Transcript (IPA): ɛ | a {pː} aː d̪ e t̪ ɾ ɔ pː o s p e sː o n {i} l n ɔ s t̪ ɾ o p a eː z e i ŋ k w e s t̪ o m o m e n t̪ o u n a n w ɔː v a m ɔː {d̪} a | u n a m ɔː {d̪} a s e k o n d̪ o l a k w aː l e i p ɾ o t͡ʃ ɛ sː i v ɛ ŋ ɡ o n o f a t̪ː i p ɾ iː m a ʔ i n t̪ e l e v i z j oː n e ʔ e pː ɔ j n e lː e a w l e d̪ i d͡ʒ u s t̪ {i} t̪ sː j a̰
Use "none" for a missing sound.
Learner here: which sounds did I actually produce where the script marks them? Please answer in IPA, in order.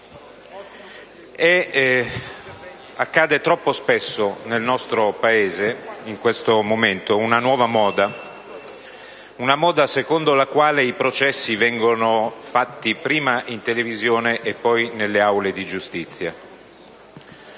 kː, e, d̪, d̪, i

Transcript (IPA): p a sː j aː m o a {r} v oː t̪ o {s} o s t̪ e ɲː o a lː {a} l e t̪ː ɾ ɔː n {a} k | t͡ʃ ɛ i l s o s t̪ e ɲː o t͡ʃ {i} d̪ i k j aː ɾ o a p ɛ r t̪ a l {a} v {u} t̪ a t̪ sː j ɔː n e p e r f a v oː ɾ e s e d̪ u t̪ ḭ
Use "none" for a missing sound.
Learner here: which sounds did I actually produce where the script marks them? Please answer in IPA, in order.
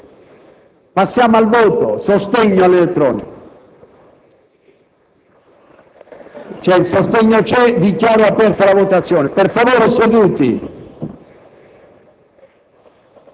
l, s, e, i, ɛ, a, o

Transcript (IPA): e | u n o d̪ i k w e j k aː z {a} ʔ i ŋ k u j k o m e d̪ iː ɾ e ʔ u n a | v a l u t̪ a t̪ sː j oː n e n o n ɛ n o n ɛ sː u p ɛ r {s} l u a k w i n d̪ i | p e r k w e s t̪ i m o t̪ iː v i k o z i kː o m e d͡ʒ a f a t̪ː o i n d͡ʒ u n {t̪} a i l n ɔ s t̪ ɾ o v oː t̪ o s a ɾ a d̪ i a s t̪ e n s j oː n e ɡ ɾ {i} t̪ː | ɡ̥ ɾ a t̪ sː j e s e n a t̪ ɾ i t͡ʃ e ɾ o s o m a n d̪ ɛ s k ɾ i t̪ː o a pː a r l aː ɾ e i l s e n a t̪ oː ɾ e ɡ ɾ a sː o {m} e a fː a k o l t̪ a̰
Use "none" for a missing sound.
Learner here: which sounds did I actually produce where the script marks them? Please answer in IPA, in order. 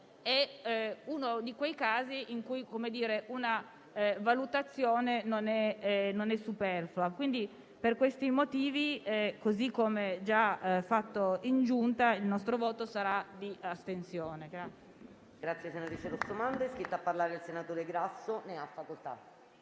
i, f, t̪, a, n

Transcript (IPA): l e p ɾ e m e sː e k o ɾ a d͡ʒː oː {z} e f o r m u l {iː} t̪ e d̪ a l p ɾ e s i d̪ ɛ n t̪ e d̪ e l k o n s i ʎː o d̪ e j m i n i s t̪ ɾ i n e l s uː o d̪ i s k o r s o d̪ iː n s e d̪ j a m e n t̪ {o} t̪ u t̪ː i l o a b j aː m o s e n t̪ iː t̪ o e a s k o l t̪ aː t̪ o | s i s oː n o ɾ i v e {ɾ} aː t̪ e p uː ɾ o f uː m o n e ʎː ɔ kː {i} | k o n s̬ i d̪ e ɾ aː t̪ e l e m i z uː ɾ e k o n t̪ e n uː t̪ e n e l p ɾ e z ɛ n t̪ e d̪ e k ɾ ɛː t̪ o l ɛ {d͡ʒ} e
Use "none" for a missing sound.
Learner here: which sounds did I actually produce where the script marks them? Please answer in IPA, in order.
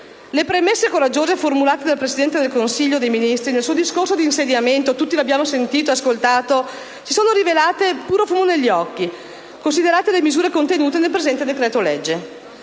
z, aː, o, l, i, d͡ʒː

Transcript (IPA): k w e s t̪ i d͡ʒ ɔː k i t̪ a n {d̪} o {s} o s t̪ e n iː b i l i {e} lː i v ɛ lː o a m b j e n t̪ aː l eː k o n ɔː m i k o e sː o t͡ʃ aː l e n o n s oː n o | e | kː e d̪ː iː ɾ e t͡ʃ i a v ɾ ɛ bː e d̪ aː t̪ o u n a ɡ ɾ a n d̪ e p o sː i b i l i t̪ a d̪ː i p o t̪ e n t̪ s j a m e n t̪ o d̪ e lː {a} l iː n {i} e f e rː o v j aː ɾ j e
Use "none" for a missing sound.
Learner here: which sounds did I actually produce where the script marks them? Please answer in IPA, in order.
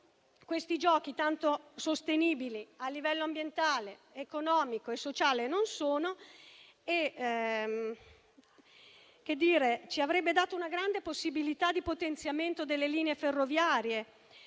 t̪, s, a, e, e

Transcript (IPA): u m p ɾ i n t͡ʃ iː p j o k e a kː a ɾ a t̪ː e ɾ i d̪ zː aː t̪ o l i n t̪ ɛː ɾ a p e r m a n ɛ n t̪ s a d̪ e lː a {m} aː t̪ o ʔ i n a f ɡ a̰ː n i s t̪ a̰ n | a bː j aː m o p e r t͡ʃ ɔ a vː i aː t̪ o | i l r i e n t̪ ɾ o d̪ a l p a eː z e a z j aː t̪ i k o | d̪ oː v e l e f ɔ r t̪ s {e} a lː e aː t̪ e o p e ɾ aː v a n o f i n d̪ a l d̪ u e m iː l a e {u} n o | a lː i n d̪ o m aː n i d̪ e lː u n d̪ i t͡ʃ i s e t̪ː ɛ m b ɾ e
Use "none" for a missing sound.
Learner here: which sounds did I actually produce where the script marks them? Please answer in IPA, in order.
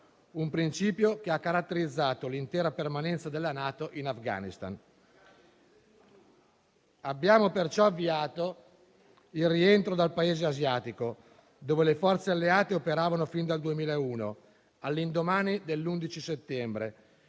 n, e, uː

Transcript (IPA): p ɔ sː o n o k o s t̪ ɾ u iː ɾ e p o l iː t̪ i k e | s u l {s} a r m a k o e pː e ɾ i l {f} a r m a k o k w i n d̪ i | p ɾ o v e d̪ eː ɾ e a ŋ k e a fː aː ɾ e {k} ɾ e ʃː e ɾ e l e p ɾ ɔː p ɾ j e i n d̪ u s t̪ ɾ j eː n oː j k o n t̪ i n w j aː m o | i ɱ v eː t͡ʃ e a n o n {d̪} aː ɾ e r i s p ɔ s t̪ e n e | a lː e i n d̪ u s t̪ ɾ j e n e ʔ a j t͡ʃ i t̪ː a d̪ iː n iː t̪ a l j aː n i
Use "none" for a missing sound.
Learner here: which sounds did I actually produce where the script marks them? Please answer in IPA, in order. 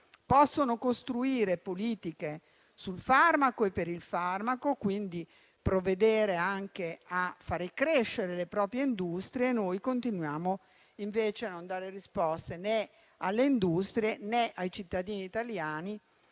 f, f, k, d̪

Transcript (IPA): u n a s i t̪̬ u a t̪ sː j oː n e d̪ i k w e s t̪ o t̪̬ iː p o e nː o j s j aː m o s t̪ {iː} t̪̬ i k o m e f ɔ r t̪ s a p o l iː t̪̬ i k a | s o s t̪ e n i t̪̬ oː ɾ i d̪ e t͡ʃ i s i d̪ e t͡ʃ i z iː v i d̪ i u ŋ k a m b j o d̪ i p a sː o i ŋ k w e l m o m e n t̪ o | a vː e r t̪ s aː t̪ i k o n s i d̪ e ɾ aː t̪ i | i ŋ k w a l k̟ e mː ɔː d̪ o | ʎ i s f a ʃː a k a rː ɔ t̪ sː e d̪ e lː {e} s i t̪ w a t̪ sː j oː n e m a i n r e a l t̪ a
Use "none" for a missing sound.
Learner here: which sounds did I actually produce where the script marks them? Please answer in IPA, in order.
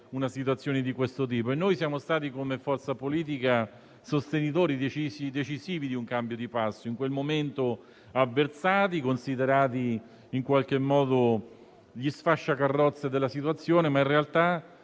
aː, a

